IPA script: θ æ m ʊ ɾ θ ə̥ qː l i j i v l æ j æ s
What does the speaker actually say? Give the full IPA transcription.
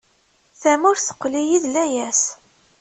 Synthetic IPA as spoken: θ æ m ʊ ɾ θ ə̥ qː l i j i ð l æ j æ s